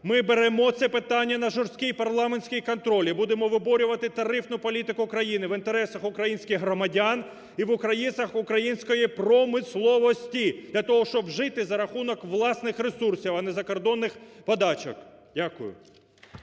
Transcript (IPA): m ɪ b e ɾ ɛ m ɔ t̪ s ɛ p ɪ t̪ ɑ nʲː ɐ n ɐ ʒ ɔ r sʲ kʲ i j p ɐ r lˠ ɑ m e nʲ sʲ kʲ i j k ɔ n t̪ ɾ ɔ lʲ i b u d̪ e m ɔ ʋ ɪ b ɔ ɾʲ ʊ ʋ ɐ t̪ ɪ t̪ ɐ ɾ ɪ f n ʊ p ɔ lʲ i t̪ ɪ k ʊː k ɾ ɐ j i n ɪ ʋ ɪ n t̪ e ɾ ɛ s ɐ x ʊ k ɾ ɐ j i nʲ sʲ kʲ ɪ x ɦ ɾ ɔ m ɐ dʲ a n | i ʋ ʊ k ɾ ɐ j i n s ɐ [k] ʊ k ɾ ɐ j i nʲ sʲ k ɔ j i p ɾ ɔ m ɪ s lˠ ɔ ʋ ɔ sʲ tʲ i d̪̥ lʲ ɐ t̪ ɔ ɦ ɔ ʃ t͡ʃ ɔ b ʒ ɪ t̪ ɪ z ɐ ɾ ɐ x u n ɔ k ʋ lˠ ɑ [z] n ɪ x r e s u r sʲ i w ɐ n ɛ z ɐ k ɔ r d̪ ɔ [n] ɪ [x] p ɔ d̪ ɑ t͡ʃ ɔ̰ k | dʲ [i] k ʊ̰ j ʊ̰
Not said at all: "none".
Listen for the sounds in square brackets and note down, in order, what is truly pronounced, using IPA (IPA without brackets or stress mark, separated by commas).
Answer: x, s, nː, x, a